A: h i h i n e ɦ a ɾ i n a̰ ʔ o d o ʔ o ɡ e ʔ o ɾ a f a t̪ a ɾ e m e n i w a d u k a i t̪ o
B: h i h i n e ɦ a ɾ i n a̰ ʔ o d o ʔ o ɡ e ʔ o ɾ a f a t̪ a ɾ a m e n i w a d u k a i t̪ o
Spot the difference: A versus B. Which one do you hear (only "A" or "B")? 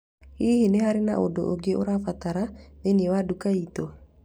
B